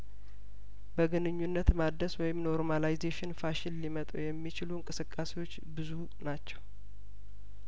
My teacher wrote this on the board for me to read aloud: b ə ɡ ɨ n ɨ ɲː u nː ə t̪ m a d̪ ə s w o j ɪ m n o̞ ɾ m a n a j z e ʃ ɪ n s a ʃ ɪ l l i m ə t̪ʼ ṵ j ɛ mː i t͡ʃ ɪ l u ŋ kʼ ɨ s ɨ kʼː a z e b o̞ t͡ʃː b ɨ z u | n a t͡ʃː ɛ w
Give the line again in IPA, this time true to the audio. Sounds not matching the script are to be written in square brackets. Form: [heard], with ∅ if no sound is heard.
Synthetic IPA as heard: b ə ɡ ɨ n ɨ ɲː u nː ə t̪ m a d̪ ə s w [ɔ] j ɪ m n o̞ ɾ m a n a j z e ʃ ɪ n [f] a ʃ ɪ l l i m ə t̪ʼ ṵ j ɛ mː i t͡ʃ ɪ l u ŋ kʼ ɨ s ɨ kʼː a [s] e [w] o̞ t͡ʃː b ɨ z u | n a t͡ʃː ɛ w

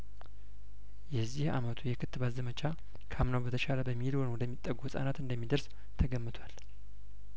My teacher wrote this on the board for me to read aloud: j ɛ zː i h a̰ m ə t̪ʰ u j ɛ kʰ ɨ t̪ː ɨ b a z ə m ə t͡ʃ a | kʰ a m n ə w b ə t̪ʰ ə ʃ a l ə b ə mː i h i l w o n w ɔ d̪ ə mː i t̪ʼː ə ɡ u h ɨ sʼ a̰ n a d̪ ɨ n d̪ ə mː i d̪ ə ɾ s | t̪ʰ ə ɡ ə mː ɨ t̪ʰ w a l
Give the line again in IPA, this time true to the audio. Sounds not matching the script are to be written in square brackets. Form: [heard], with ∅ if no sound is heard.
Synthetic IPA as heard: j ɛ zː i h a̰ m ə t̪ʰ u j ɛ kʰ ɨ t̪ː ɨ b a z ə m ə t͡ʃ a | kʰ a m n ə w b ə t̪ʰ ə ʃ a l ə b ə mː i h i l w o n w ɔ d̪ ə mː i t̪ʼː ə ɡ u h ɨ sʼ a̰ n a [t̪] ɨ n d̪ ə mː i d̪ ə ɾ s | t̪ʰ ə ɡ ə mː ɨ t̪ʰ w a l

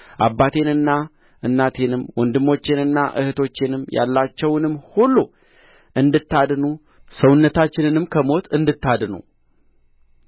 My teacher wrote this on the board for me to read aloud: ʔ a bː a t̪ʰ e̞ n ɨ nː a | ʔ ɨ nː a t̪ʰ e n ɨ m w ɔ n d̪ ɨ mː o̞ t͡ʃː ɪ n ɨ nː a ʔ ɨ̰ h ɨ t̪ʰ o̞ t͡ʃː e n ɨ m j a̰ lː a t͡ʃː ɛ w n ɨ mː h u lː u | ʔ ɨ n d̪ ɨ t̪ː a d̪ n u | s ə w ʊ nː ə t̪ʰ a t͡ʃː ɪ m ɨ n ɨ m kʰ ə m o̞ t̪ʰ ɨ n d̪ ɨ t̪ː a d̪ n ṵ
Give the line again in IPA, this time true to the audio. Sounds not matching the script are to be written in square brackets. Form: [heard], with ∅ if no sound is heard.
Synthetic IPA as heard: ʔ a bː a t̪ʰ e̞ n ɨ nː a | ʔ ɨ nː a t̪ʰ e n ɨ m w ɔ n d̪ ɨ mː o̞ t͡ʃː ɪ n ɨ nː a ʔ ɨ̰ h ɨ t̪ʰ o̞ t͡ʃː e n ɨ m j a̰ lː a t͡ʃː ɛ w n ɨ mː h u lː u | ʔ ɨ n d̪ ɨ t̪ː a d̪ n u | s ə w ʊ nː ə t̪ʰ a t͡ʃː ɪ [n] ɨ n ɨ m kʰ ə m o̞ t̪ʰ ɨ n d̪ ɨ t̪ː a d̪ n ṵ

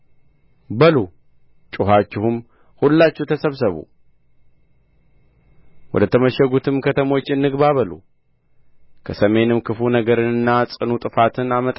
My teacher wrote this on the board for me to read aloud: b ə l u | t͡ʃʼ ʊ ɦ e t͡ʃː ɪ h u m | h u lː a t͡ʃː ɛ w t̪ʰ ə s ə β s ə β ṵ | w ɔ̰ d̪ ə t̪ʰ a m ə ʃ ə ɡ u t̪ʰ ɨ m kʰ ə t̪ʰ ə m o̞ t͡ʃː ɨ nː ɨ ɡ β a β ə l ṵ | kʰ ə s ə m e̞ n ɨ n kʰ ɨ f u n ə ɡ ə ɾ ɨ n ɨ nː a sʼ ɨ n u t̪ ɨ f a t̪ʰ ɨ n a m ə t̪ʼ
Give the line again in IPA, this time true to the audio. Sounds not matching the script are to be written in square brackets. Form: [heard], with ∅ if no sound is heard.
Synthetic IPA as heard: b ə l u | t͡ʃʼ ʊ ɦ [a] t͡ʃː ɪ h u m | h u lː a t͡ʃː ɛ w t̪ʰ ə s ə β s ə β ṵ | w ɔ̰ d̪ ə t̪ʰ [ə] m ə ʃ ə ɡ u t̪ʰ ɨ m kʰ ə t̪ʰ ə m o̞ t͡ʃː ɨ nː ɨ ɡ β a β ə l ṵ | kʰ ə s ə m e̞ n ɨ [m] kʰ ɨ f u n ə ɡ ə ɾ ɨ n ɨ nː a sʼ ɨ n u [t̪ʼ] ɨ f a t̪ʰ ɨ n a m ə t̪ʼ

